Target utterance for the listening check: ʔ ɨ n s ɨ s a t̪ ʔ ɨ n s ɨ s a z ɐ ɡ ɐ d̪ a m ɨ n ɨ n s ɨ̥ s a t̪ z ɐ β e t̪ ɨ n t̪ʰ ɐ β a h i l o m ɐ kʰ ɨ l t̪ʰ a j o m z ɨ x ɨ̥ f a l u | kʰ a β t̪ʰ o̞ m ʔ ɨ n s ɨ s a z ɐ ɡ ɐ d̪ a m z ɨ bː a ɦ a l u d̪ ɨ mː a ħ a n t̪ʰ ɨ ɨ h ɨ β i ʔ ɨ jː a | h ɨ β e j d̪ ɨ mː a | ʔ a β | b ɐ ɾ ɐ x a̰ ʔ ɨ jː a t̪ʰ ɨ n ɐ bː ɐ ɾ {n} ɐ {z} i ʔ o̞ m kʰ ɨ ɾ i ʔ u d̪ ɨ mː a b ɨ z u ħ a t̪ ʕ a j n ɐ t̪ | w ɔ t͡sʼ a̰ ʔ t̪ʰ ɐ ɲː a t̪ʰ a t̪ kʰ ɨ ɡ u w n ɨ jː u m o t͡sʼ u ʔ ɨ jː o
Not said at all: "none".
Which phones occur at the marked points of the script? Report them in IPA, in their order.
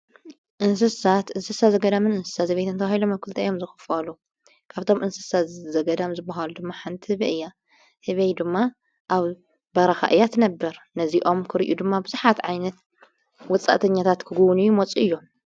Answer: n, z

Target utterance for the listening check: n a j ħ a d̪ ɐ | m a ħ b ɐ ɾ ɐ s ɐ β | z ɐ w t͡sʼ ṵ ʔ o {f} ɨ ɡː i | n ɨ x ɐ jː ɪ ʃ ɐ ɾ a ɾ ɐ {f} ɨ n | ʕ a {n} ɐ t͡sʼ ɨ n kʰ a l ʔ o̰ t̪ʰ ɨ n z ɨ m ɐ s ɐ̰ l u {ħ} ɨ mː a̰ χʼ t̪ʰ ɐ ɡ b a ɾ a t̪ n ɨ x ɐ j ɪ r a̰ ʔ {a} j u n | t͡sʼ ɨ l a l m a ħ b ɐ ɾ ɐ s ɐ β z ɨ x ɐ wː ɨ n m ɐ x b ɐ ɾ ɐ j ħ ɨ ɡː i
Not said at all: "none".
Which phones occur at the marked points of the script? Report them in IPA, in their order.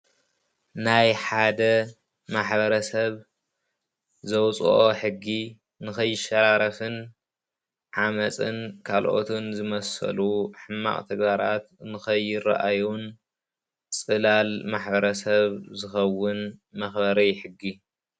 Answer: ħ, f, m, ħ, a

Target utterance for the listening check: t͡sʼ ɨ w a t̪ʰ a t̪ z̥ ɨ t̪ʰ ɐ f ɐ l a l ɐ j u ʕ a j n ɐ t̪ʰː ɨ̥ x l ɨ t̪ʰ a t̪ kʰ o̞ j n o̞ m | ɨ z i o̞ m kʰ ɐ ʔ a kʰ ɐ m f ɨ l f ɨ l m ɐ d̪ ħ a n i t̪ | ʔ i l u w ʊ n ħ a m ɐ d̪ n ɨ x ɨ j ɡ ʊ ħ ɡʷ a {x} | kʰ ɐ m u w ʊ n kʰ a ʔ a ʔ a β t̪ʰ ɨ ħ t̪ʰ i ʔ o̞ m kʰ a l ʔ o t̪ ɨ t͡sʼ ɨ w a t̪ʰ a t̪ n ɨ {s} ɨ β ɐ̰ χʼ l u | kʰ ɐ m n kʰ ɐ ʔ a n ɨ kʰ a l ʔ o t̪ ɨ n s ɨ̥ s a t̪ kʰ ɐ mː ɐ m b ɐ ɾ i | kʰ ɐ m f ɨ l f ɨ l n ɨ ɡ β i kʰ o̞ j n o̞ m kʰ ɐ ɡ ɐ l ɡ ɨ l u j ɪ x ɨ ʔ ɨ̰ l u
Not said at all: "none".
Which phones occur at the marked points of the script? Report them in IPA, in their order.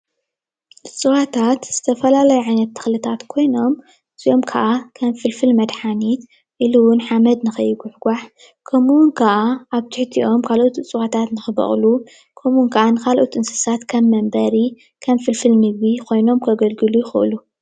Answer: ħ, x

